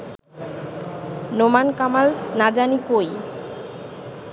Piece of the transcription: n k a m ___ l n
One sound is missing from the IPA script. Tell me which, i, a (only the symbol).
a